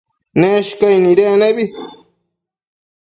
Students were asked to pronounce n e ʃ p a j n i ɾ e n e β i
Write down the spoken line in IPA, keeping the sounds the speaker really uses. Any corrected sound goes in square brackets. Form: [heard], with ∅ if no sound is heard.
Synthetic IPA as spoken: n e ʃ [k] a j n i ɾ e n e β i